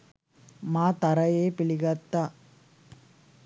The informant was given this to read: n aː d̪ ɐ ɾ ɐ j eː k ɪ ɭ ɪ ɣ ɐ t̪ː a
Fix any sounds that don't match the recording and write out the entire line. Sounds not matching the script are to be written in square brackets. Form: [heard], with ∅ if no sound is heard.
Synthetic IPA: [m] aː [t̪] ɐ ɾ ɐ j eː [p] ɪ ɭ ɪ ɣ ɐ t̪ː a